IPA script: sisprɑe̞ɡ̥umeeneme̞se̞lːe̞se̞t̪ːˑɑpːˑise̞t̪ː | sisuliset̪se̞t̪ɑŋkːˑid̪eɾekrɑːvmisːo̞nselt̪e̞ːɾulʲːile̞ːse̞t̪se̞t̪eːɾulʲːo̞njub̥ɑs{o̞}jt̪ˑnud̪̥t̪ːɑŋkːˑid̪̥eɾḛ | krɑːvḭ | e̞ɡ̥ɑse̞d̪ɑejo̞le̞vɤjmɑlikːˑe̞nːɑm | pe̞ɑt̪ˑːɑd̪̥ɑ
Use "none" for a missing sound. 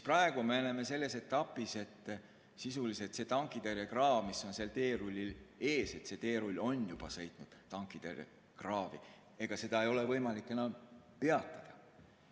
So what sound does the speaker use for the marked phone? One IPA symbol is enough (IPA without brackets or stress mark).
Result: ɤ̞